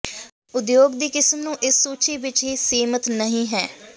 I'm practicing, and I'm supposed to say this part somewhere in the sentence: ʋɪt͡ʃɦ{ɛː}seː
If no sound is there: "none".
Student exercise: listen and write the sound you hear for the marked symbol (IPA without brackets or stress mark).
iː